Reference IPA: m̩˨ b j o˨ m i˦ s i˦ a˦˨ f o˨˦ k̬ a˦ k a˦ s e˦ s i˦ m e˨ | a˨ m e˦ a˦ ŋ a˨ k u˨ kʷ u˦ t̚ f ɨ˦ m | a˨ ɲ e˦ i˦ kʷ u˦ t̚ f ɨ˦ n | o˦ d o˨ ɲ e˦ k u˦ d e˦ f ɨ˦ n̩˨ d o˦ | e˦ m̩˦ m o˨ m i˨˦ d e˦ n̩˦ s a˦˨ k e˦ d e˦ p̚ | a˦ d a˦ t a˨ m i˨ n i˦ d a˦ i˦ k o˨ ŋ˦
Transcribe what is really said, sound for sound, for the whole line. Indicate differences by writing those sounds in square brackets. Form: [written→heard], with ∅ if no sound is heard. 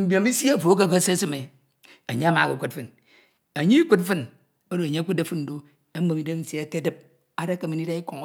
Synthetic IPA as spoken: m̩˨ b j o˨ m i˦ s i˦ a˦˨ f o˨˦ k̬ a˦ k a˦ s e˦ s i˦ m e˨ | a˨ [m→ɲ] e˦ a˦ [ŋ→m] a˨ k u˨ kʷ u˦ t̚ f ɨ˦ [m→n] | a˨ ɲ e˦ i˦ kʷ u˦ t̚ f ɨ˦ n | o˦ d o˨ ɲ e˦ k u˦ d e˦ f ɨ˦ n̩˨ d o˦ | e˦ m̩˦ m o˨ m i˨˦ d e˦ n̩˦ s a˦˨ k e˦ d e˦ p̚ | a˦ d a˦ [t→k] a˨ m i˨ n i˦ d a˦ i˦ k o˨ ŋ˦

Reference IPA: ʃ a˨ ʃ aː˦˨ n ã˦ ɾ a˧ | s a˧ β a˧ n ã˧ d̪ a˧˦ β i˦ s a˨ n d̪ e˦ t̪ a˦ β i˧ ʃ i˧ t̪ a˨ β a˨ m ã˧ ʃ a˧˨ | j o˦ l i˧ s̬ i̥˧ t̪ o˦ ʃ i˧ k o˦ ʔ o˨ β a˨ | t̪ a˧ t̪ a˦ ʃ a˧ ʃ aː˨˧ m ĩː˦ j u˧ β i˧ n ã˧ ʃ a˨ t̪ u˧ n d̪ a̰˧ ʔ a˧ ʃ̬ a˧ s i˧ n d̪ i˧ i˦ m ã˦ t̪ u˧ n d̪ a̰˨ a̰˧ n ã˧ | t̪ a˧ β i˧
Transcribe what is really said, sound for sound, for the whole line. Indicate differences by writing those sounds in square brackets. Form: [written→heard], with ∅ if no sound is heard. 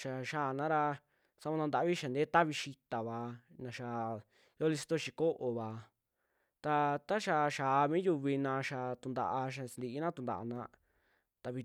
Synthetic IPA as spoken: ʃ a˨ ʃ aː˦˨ n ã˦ ɾ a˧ | s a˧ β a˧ n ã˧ d̪ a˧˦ β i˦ [s→ʃ] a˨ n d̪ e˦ t̪ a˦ β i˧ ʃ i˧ t̪ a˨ β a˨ [m→n] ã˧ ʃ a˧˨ | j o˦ l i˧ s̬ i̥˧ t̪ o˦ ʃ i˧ k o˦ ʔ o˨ β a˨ | t̪ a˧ t̪ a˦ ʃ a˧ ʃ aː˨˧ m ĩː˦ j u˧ β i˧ n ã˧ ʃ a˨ t̪ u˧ n d̪ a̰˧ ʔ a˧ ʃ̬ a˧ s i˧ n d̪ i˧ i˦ [m→n] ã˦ t̪ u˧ n d̪ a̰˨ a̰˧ n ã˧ | t̪ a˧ β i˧

